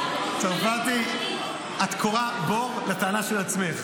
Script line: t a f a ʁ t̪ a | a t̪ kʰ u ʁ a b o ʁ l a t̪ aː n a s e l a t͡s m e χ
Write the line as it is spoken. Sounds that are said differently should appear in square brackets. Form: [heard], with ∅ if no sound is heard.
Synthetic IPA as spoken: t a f a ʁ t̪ [i] | a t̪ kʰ [o] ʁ a b o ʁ l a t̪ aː n a [ʃ] e l a t͡s m e χ